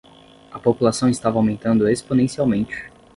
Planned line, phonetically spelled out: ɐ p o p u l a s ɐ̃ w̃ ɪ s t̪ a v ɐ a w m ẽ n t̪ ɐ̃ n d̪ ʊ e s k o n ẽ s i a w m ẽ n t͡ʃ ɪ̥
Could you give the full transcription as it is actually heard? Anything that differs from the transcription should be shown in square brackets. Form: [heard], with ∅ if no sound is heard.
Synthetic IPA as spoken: ɐ p o p u l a s ɐ̃ w̃ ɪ s t̪ a v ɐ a w m ẽ n t̪ ɐ̃ n d̪ ʊ e s [p] o n ẽ s i a w m ẽ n t͡ʃ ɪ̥